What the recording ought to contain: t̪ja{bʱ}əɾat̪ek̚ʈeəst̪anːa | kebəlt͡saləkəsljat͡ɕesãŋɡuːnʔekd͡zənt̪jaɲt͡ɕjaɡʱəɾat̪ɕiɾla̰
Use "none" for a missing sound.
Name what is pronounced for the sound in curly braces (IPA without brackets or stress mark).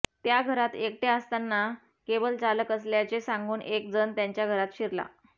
ɡʱ